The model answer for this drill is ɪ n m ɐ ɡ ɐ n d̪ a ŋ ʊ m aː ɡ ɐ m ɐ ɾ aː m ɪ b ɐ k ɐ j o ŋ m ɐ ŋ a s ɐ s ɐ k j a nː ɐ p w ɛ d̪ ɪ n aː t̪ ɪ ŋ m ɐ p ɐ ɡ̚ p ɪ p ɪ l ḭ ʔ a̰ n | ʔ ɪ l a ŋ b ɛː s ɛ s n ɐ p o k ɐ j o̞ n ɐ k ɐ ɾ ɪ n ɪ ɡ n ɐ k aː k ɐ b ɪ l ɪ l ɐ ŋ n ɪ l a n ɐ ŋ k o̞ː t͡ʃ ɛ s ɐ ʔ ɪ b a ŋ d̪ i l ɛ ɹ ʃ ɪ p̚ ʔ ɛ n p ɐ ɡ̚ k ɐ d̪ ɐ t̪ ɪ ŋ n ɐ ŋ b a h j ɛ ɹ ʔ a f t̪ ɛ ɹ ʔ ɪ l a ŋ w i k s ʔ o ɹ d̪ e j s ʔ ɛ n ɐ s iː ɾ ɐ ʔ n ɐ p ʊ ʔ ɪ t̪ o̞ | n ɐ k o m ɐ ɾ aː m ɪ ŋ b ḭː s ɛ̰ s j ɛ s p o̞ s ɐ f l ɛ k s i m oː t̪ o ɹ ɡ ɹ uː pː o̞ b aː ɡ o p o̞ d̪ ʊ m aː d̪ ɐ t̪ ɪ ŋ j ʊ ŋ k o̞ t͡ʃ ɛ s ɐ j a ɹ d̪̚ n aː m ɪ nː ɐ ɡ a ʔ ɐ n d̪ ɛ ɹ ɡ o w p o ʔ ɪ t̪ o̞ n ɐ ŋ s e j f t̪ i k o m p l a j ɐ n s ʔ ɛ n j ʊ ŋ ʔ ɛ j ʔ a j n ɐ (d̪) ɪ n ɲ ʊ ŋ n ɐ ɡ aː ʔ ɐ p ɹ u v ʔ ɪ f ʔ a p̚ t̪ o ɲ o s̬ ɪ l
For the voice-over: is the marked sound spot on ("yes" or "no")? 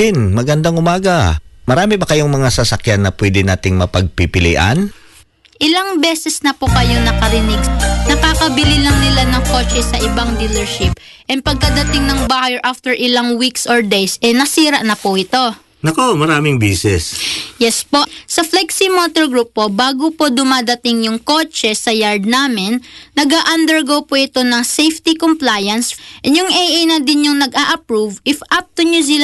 yes